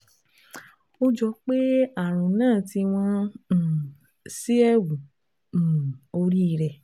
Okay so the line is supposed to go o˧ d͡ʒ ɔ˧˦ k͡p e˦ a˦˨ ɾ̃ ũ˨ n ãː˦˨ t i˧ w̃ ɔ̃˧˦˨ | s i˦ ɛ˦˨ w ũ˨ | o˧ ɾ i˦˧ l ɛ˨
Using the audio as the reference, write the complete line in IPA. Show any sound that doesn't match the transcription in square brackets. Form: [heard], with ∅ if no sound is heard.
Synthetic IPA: o˧ d͡ʒ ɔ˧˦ k͡p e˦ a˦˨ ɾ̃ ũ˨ n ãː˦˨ t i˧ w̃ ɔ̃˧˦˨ | s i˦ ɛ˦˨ w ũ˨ | o˧ ɾ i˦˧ [ɾ] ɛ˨